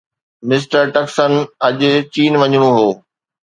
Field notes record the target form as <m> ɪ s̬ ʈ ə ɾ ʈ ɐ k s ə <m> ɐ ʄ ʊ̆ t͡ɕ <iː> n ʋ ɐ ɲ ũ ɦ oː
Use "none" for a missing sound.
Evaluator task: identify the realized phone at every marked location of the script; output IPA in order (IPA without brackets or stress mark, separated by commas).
m, n, iː